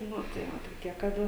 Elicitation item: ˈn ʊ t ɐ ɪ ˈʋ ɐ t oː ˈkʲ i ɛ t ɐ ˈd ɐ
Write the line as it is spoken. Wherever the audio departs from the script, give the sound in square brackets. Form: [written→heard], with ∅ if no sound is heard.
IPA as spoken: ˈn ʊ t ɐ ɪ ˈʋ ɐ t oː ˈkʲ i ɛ [t→k] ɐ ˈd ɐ